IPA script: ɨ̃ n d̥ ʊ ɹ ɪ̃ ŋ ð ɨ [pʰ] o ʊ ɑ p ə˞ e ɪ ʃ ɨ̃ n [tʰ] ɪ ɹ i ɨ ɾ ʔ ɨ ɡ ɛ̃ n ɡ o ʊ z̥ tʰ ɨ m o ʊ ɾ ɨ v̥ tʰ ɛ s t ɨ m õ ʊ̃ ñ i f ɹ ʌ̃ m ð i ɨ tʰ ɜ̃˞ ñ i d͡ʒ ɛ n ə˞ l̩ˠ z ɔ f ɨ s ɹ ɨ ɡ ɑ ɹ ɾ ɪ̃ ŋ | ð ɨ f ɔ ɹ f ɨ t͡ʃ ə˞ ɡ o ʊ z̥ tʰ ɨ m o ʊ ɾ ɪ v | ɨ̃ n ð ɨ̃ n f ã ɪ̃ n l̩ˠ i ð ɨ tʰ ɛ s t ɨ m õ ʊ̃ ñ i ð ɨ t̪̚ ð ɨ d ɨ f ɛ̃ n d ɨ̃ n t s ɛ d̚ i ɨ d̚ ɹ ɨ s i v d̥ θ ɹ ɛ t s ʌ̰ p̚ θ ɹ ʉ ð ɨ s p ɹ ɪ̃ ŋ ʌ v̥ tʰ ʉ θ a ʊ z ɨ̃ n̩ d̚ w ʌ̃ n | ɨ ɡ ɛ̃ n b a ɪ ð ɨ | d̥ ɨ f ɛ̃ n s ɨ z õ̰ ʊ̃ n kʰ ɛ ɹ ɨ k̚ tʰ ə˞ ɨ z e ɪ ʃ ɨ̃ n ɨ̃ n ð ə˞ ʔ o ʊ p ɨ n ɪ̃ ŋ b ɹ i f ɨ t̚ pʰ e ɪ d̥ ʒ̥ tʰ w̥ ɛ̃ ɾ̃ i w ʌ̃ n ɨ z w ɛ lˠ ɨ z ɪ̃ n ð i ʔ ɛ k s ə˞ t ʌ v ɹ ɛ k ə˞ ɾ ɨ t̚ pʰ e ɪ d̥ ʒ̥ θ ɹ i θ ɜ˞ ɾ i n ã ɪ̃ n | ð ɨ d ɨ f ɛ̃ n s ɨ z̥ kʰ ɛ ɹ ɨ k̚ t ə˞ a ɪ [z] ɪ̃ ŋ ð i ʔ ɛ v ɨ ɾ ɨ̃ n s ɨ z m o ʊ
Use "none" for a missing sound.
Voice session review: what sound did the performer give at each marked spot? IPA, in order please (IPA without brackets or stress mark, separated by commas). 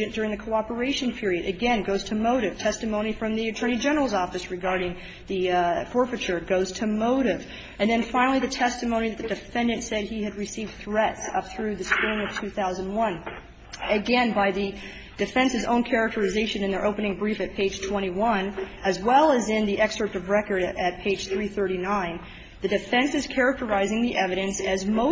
kʰ, pʰ, z